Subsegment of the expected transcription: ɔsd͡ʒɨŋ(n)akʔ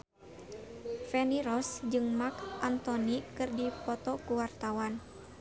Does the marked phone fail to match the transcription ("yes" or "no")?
yes